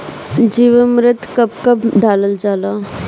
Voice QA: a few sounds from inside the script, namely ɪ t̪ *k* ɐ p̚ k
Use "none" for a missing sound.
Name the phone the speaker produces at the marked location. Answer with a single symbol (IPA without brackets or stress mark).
k